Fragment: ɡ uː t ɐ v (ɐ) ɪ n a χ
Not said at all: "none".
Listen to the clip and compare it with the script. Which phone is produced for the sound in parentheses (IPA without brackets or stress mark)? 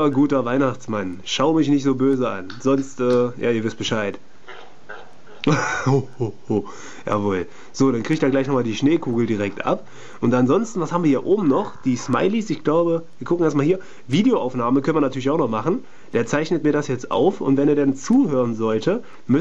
a